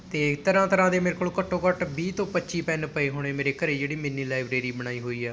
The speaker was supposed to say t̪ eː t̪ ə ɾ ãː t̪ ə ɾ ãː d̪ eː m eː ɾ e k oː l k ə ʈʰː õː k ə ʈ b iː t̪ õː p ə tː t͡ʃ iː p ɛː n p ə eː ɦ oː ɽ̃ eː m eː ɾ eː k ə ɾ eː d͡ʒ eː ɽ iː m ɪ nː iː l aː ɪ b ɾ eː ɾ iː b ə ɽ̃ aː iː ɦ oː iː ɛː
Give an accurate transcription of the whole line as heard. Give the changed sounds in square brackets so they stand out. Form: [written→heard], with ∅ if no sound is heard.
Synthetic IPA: t̪ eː t̪ ə ɾ ãː t̪ ə ɾ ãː d̪ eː m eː ɾ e k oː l k ə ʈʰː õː k ə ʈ b iː t̪ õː p ə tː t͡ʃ iː p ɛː n p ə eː ɦ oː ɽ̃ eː m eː ɾ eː k ə ɾ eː d͡ʒ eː ɽ iː m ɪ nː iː l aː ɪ b ɾ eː ɾ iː b ə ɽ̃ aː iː ɦ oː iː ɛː